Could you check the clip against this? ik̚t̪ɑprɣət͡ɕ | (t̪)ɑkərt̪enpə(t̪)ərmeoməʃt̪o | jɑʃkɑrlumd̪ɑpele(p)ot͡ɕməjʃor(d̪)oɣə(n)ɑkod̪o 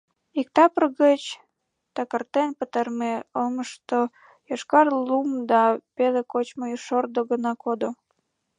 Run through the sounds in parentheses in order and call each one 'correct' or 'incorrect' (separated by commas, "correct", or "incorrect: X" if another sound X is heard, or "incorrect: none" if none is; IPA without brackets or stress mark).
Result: correct, correct, incorrect: k, correct, correct